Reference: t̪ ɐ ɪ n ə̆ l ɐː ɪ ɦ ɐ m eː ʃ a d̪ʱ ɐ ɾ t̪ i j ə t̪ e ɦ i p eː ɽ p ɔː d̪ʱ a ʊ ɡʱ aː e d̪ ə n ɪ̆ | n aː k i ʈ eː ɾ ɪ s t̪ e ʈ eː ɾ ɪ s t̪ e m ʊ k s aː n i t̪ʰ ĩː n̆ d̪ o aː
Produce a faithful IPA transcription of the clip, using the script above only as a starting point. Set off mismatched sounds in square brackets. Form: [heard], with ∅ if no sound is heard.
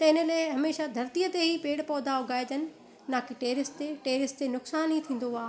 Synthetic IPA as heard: t̪ ɐ ɪ n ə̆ l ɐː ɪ ɦ ɐ m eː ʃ a d̪ʱ ɐ ɾ t̪ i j ə t̪ e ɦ i p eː ɽ p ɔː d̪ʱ a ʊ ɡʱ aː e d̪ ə n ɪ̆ | n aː k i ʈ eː ɾ ɪ s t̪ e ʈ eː ɾ ɪ s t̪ e [n] ʊ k s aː n i t̪ʰ ĩː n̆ d̪ o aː

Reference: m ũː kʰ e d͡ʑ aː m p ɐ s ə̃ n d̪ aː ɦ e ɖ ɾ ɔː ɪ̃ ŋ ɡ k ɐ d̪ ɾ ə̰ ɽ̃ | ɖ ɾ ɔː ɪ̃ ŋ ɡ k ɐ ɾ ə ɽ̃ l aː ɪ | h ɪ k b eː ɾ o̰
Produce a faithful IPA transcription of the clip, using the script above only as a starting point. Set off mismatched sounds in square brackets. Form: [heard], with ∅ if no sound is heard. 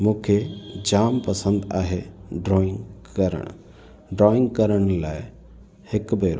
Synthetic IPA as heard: m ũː kʰ e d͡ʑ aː m p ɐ s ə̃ n d̪ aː ɦ e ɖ ɾ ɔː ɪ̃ ŋ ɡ k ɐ [∅] ɾ ə̰ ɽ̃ | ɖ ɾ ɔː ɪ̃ ŋ ɡ k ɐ ɾ ə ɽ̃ l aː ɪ | h ɪ k b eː ɾ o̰

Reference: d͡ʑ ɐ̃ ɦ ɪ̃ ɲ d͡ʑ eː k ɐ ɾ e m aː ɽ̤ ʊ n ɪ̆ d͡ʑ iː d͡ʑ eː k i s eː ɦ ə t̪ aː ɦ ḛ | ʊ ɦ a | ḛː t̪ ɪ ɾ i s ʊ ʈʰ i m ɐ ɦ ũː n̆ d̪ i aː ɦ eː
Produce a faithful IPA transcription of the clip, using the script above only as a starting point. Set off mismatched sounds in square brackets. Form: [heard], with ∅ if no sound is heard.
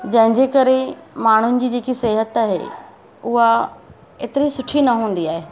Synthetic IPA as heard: d͡ʑ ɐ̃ ɦ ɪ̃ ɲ d͡ʑ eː k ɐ ɾ e m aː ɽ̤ ʊ n ɪ̆ d͡ʑ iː d͡ʑ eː k i s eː ɦ ə t̪ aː ɦ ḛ | ʊ ɦ a | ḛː t̪ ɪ ɾ i s ʊ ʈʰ i [n] ɐ ɦ ũː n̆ d̪ i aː ɦ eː

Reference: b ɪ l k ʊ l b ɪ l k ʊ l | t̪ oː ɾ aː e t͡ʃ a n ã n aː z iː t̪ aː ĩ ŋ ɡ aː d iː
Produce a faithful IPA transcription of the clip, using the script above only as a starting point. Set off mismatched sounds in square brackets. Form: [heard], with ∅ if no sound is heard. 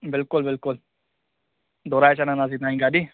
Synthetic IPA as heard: b ɪ l k ʊ l b ɪ l k ʊ l | [d̪] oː ɾ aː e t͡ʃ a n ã n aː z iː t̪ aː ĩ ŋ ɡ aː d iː

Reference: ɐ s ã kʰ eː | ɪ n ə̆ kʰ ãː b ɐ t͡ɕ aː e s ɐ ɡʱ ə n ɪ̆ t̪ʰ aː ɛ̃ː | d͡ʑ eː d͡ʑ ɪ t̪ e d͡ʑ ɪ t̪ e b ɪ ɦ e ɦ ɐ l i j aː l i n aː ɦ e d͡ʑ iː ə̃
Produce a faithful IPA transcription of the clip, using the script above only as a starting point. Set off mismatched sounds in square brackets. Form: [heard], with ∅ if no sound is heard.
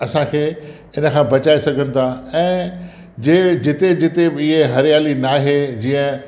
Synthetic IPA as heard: ɐ s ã kʰ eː | ɪ n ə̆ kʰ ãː b ɐ t͡ɕ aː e s ɐ ɡʱ ə n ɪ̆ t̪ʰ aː ɛ̃ː | d͡ʑ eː d͡ʑ ɪ t̪ e d͡ʑ ɪ t̪ e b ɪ ɦ e ɦ ɐ [ɾ] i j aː l i n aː ɦ e d͡ʑ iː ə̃

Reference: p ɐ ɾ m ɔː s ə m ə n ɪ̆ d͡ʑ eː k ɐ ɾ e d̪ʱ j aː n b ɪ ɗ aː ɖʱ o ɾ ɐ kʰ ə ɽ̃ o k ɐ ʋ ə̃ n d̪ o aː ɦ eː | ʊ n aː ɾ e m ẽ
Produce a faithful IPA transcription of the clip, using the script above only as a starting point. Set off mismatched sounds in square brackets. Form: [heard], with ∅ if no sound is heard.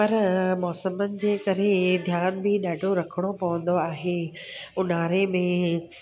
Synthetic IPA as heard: p ɐ ɾ m ɔː s ə m ə n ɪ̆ d͡ʑ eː k ɐ ɾ e d̪ʱ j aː n b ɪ ɗ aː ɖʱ o ɾ ɐ kʰ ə ɽ̃ o [p] ɐ ʋ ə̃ n d̪ o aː ɦ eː | ʊ n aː ɾ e m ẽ

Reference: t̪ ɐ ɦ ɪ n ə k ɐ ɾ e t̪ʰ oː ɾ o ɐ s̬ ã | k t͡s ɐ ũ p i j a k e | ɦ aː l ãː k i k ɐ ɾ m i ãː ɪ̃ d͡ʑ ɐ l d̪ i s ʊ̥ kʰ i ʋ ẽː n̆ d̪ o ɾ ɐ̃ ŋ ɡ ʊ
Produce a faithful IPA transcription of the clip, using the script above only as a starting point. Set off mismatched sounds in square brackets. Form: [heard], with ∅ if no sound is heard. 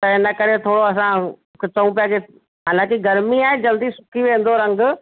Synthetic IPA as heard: t̪ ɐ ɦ ɪ n ə k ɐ ɾ e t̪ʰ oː [ɽ] o ɐ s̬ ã | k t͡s ɐ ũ p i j a k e | ɦ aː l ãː k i [ɡ] ɐ ɾ m i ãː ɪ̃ d͡ʑ ɐ l d̪ i s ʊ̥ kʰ i ʋ ẽː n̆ d̪ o ɾ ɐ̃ ŋ ɡ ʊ

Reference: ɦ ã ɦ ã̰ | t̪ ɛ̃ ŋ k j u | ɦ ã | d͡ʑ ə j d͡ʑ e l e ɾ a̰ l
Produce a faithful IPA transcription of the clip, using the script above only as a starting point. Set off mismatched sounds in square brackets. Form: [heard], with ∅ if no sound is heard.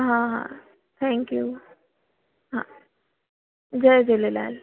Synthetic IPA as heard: ɦ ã ɦ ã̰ | [t̪ʰ] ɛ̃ ŋ k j u | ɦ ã | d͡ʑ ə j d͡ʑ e l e [l] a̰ l

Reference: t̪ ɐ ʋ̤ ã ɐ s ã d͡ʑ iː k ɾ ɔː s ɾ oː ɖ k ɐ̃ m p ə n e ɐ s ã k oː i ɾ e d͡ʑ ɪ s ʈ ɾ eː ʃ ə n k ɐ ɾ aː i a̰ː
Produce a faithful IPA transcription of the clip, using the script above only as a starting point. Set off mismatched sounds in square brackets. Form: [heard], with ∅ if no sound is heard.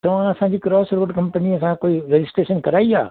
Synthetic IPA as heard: t̪ ɐ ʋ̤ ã ɐ s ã d͡ʑ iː k ɾ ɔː s ɾ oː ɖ k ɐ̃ m p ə n [i] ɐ s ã k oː i ɾ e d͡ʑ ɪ s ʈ ɾ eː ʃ ə n k ɐ ɾ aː i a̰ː

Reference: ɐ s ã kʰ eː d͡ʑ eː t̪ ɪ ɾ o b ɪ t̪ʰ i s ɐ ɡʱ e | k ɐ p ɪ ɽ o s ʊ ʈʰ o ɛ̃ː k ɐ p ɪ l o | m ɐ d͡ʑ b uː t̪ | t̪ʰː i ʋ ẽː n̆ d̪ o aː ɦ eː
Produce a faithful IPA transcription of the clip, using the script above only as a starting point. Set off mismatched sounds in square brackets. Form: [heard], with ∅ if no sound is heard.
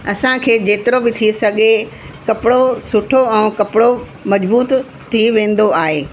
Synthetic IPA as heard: ɐ s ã kʰ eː d͡ʑ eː t̪ ɪ ɾ o b ɪ t̪ʰ i s ɐ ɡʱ e | k ɐ p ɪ ɽ o s ʊ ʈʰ o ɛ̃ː k ɐ p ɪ [ɽ] o | m ɐ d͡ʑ b uː t̪ | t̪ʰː i ʋ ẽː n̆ d̪ o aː ɦ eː

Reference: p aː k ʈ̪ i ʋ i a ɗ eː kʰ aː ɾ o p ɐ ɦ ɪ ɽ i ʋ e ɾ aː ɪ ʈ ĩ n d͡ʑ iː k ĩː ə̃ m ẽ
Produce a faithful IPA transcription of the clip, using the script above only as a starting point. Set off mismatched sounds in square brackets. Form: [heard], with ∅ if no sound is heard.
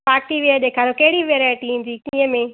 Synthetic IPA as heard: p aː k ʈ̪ i ʋ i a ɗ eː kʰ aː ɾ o [k] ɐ ɦ ɪ ɽ i ʋ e ɾ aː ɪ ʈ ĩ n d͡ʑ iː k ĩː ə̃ m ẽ

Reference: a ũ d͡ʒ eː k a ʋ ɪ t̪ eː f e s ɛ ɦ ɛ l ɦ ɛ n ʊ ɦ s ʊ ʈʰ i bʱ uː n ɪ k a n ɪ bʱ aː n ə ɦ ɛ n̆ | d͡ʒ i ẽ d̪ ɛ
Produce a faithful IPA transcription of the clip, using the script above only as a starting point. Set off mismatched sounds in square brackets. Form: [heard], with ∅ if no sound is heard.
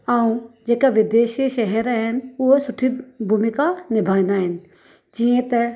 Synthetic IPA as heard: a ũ d͡ʒ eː k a ʋ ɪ [d̪] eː [ʃ] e [ʃ] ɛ ɦ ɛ [ɾ] ɦ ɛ n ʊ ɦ s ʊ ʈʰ i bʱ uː [m] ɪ k a n ɪ bʱ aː n [a] ɦ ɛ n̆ | d͡ʒ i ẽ [t̪] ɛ

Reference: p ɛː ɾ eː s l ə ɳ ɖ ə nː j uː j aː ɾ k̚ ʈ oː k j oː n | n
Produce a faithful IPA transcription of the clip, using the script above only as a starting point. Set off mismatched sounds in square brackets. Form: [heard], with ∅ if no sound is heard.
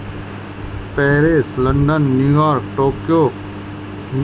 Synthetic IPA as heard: p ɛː ɾ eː s l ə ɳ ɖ ə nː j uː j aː ɾ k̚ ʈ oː k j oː [∅] | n

